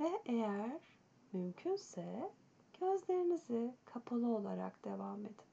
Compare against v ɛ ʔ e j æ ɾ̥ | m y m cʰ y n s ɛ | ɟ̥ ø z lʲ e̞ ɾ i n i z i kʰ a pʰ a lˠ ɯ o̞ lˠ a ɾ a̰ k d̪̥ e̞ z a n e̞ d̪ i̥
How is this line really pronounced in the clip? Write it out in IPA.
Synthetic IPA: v ɛ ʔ e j æ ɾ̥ | m y m cʰ y n s ɛ | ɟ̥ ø z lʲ e̞ ɾ i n i z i kʰ a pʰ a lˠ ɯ o̞ lˠ a ɾ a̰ k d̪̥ e̞ v a m e̞ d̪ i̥